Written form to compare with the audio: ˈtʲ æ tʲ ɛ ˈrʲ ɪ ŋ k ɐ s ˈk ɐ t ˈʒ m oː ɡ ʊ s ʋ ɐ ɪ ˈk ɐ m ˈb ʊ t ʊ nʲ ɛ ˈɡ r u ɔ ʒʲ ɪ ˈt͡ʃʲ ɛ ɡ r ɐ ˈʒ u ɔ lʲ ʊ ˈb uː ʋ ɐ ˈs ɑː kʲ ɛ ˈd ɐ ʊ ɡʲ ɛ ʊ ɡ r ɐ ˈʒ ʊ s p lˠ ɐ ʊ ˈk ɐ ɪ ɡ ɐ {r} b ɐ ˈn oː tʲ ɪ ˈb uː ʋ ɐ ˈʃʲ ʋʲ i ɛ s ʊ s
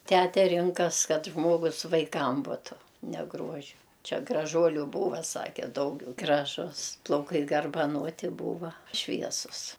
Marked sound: correct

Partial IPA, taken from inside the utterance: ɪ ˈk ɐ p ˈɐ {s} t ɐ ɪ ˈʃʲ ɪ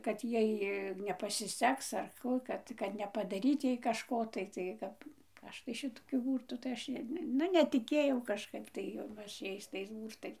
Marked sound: incorrect: ʃ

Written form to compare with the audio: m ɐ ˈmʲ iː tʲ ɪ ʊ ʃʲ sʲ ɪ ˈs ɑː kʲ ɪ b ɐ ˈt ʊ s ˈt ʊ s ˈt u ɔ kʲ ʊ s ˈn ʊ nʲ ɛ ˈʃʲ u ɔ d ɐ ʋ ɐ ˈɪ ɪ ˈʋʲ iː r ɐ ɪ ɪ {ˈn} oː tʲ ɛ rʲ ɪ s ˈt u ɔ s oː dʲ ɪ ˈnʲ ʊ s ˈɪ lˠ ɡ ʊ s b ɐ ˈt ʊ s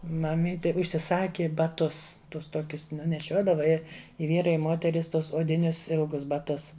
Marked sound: incorrect: m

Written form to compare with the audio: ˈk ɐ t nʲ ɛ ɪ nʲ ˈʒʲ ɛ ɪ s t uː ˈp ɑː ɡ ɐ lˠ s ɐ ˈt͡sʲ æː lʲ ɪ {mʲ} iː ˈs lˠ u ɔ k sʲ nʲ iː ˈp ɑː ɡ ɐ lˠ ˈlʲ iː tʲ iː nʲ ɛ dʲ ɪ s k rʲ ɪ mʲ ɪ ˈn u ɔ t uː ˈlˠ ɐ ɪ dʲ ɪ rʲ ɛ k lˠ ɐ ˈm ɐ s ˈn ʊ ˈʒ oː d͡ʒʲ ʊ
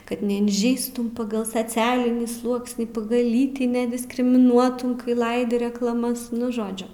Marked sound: incorrect: nʲ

